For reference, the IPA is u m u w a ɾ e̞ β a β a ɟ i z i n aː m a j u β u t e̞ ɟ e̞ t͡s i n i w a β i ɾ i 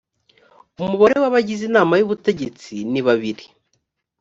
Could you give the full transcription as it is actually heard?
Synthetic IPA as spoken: u m u β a ɾ e̞ w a β a ɟ i z i n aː m a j u β u t e̞ ɟ e̞ t͡s i n i β a β i ɾ i